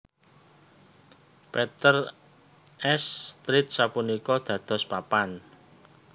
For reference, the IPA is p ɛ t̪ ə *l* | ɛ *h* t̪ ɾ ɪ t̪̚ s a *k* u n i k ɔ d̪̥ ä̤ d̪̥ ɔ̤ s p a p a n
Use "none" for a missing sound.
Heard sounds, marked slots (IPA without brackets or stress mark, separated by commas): r, s, p